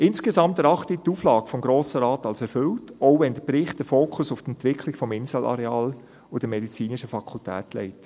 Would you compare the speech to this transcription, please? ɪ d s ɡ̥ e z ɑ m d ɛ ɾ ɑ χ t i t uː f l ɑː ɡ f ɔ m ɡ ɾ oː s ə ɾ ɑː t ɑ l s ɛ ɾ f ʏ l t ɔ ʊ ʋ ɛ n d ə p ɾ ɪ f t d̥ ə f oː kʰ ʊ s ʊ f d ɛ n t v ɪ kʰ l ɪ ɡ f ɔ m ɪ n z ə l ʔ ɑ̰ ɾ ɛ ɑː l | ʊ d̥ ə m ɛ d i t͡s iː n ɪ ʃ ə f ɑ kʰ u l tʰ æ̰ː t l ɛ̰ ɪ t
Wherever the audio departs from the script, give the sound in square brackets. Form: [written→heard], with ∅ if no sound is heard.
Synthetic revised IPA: ɪ [d→n] s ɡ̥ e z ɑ m [d→t] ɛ ɾ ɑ χ t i t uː f l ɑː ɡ f ɔ m ɡ ɾ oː s ə ɾ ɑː t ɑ l s ɛ ɾ f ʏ l t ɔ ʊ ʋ ɛ n d ə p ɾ ɪ [f→χ] t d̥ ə f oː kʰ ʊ s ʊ f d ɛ n t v ɪ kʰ l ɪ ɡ f ɔ m ɪ n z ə l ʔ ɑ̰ ɾ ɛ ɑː l | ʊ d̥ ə m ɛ d i t͡s iː n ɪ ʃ ə f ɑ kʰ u l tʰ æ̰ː t l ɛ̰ ɪ t